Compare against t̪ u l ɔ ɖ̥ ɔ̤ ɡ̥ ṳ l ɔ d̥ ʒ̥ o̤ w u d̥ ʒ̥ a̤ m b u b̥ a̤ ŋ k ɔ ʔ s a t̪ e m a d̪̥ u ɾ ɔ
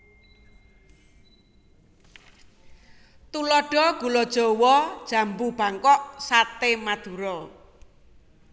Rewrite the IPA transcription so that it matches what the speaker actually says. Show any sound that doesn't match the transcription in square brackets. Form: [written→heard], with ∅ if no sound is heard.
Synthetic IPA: t̪ u l ɔ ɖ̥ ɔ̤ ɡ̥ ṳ l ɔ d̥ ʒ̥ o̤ w [u→ɔ] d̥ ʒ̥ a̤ m b u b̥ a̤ ŋ k ɔ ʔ s a t̪ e m a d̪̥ u ɾ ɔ